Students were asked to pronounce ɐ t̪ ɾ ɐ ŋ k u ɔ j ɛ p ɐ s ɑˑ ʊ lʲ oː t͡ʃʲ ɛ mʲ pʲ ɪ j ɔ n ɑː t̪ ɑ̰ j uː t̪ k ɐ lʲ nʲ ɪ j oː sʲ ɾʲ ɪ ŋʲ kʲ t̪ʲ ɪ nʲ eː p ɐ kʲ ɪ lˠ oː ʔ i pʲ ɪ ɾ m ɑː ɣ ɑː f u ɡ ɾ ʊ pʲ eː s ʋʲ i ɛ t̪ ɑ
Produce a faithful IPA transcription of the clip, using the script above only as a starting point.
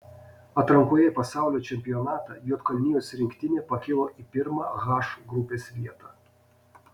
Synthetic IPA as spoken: ɐ t̪ ɾ ɐ ŋ k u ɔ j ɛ p ɐ s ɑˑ ʊ lʲ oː t͡ʃʲ ɛ mʲ pʲ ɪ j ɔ n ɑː t̪ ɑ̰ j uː t̪ k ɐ lʲ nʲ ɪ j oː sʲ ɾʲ ɪ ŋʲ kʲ t̪ʲ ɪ nʲ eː p ɐ kʲ ɪ lˠ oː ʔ i pʲ ɪ ɾ m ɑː ɣ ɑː ʃ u ɡ ɾ ʊ pʲ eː s ʋʲ i ɛ t̪ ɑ